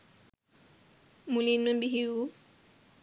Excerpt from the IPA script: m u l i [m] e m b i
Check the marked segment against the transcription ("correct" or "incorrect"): incorrect